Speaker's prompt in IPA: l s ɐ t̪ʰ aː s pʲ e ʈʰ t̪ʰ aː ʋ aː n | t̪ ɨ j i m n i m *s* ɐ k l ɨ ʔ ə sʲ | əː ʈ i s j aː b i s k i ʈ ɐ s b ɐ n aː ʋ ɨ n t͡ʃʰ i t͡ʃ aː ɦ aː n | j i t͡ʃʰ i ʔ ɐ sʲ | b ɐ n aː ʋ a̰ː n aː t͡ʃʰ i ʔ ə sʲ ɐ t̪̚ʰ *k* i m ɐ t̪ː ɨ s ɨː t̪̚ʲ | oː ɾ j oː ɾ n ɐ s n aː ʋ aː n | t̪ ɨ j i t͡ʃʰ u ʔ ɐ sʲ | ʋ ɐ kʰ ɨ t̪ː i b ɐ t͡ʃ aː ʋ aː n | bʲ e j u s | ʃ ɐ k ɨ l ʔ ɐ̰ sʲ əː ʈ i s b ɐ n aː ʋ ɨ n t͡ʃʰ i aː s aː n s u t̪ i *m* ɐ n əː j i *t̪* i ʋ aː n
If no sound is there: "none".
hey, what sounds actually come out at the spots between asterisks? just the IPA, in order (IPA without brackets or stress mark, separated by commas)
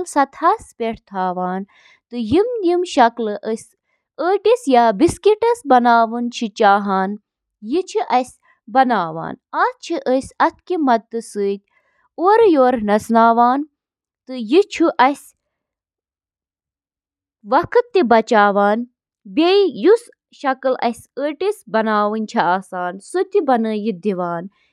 ʃ, k, b, d̪